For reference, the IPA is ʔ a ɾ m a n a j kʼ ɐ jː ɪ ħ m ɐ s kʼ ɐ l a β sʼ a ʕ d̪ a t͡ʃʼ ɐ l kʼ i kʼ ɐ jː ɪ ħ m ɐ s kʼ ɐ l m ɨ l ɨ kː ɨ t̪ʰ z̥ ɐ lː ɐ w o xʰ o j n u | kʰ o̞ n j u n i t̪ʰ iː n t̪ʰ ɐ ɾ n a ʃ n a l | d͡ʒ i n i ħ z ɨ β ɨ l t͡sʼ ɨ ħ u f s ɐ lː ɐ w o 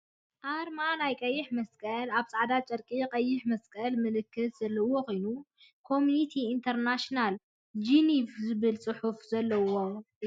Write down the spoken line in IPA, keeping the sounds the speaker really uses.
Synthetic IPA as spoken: ʔ a ɾ m a n a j kʼ ɐ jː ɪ ħ m ɐ s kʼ ɐ l a β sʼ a ʕ d̪ a t͡ʃʼ ɐ ɾ kʼ i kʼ ɐ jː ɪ ħ m ɐ s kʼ ɐ l m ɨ l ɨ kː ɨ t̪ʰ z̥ ɐ lː ɐ w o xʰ o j n u | kʰ o̞ m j u n i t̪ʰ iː n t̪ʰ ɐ ɾ n a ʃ n a l | d͡ʒ i n i f z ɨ β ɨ l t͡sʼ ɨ ħ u f z ɐ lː ɐ w o